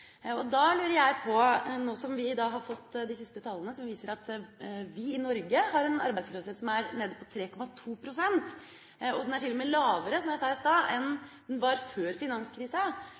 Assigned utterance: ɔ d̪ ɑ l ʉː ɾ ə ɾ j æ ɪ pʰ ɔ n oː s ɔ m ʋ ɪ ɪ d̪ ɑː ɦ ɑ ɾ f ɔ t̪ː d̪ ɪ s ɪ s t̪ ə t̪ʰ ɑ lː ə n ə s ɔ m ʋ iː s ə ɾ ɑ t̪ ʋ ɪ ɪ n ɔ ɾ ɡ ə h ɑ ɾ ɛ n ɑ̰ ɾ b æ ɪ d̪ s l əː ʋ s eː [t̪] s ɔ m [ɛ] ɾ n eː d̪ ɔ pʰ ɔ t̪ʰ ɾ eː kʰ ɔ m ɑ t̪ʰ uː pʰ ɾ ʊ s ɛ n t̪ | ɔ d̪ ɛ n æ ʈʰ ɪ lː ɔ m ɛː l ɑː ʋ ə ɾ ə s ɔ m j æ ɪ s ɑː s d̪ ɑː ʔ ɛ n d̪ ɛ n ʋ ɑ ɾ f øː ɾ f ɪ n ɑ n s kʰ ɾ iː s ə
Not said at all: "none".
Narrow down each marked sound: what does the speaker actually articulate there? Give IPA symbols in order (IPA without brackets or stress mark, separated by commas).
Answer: t̪, æ